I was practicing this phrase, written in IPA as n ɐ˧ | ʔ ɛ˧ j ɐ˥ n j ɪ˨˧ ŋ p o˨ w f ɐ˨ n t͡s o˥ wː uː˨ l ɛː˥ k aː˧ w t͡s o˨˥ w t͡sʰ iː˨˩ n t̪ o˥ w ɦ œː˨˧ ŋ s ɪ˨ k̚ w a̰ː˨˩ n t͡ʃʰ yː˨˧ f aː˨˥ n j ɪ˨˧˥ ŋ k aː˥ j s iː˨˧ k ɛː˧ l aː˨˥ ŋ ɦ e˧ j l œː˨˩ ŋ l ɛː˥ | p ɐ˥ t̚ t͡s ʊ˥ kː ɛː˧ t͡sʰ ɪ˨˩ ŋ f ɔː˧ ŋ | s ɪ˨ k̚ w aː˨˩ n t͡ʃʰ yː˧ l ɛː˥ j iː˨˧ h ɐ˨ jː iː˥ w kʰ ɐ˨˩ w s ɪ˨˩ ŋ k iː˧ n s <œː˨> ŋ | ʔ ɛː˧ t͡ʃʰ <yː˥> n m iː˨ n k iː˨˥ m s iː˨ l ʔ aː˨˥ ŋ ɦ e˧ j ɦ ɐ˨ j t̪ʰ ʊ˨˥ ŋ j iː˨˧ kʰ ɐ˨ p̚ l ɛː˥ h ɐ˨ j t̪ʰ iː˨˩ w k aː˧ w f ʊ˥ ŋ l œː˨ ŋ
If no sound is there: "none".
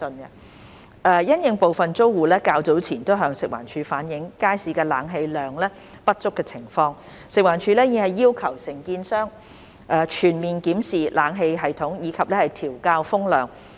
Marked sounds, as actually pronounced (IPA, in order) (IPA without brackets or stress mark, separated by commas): œː˥, yː˨˩